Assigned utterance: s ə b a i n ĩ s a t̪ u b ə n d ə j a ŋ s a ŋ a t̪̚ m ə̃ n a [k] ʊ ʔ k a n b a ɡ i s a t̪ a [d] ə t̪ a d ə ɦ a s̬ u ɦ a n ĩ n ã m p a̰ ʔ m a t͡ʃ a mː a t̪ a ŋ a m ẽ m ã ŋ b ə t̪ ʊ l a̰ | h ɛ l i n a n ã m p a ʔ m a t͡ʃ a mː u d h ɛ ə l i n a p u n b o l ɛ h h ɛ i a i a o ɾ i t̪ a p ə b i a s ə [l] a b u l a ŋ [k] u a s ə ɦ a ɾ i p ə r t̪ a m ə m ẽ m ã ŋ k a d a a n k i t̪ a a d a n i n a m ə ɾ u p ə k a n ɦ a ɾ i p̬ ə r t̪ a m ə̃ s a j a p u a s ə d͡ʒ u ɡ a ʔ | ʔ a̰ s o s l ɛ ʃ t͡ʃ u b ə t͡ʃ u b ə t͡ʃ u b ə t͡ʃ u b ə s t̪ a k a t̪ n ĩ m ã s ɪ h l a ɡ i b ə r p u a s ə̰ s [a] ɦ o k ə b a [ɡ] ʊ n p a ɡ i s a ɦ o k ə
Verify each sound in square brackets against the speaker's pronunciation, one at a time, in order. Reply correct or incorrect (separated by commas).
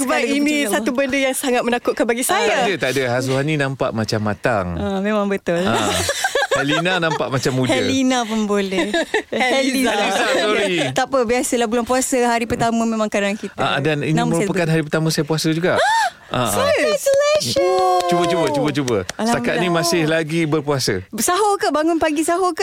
correct, correct, correct, incorrect, correct, incorrect